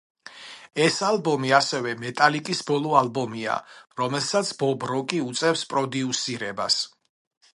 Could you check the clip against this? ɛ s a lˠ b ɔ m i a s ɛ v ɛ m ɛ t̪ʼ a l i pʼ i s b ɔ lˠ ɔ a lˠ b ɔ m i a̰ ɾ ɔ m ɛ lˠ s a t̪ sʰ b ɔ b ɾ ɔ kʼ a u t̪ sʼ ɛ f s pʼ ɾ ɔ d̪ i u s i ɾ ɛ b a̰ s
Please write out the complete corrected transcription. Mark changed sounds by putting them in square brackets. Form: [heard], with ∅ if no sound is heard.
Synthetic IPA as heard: ɛ s a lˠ b ɔ m i a s ɛ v ɛ m ɛ t̪ʼ a l i [kʼ] i s b ɔ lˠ ɔ a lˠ b ɔ m i a̰ ɾ ɔ m ɛ lˠ s a t̪ sʰ b ɔ b ɾ ɔ kʼ [i] u t̪ sʼ ɛ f s pʼ ɾ ɔ d̪ i u s i ɾ ɛ b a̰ s